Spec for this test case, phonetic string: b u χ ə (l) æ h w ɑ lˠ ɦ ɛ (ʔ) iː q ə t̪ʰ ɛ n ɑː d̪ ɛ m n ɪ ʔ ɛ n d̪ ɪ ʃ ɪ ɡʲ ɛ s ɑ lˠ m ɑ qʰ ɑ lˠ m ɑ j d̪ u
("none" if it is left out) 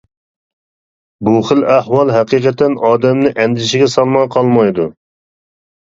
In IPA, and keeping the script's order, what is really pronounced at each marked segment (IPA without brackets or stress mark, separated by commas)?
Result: l, q